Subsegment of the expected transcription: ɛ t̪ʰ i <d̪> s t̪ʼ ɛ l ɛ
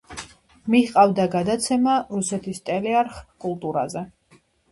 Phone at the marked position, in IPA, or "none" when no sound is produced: none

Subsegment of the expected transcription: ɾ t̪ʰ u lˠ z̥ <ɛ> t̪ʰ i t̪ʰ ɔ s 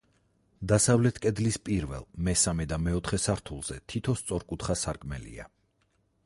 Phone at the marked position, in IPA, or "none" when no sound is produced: ɛ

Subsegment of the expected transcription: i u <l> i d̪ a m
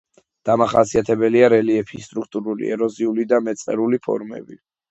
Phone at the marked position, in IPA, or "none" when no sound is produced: l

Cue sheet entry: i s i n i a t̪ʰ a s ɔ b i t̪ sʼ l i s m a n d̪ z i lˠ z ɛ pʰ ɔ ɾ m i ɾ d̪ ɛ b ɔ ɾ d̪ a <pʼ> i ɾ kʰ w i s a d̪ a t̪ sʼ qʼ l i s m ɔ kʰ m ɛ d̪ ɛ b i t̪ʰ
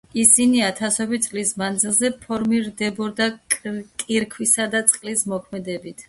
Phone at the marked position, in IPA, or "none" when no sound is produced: kʼ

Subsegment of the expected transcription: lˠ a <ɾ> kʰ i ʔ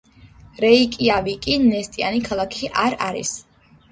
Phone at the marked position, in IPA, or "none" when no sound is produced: none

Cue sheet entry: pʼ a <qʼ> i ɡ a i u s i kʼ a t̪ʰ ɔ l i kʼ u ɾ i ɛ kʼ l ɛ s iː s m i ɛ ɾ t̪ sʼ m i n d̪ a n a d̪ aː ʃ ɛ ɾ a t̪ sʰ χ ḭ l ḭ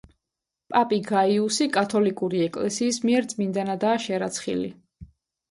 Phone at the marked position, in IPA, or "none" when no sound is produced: pʼ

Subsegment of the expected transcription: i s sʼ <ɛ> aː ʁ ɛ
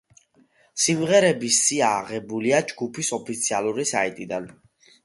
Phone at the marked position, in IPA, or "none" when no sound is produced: i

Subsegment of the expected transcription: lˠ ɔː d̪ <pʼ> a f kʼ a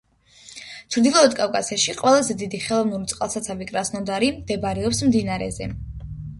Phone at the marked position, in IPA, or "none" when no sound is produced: kʼ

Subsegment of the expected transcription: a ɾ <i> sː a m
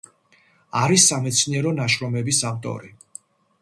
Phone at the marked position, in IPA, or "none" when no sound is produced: i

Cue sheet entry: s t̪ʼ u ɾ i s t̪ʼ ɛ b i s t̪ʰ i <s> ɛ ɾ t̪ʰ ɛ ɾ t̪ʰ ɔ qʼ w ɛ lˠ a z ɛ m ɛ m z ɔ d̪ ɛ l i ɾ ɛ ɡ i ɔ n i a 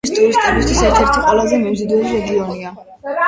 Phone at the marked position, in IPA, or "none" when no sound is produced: s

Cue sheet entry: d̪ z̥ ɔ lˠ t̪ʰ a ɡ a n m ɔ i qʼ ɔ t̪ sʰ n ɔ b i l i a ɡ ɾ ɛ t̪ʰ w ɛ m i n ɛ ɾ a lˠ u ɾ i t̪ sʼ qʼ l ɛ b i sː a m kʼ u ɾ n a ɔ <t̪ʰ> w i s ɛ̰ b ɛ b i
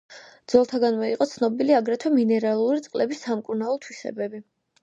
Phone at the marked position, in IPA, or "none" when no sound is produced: t̪ʰ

